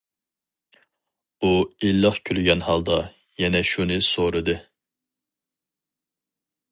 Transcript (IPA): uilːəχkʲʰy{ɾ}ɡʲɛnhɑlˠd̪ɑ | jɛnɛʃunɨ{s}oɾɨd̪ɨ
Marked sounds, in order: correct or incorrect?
incorrect: l, correct

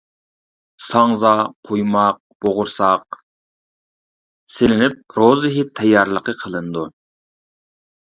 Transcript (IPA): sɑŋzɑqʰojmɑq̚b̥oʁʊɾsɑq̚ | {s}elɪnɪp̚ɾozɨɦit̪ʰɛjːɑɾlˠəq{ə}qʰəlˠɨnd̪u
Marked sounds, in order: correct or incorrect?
correct, correct

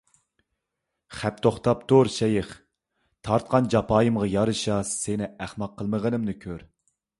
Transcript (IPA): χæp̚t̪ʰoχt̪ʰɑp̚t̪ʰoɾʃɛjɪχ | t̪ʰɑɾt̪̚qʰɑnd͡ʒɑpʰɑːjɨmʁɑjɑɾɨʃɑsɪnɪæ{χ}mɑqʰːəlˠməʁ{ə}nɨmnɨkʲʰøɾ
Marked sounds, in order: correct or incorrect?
correct, correct

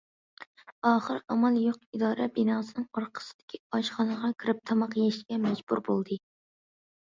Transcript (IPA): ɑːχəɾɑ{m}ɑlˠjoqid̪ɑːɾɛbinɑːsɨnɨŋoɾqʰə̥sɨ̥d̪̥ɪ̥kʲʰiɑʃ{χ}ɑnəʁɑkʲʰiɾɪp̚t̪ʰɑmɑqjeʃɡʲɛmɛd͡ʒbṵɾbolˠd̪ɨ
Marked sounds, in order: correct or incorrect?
correct, correct

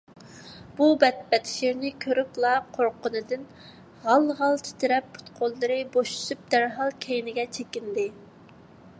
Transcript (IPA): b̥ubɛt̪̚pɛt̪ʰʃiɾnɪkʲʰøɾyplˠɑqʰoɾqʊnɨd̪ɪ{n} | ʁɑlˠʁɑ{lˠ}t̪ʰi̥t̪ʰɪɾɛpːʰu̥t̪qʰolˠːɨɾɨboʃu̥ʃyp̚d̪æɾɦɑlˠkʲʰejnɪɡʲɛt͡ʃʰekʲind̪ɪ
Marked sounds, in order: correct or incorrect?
correct, correct

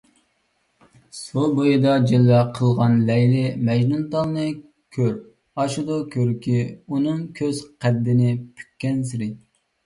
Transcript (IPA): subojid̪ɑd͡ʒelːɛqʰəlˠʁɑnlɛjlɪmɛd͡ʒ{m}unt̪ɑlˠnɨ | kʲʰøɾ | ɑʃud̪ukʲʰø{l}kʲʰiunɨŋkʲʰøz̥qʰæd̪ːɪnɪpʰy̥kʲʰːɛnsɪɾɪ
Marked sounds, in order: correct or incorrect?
incorrect: n, incorrect: ɾ

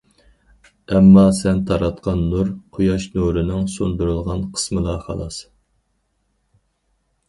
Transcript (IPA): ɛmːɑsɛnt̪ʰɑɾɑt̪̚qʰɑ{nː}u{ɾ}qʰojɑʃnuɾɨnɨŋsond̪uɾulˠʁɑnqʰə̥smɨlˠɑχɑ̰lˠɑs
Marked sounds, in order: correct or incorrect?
correct, correct

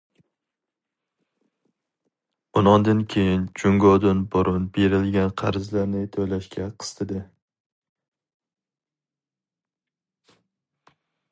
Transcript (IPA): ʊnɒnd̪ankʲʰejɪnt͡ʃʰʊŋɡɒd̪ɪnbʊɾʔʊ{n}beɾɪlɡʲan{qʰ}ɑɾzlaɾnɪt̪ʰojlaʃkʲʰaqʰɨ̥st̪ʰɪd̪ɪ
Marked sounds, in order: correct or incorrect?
correct, correct

